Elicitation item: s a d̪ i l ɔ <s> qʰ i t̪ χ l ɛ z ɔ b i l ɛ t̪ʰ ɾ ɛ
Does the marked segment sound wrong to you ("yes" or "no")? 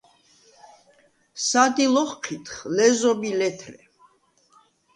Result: yes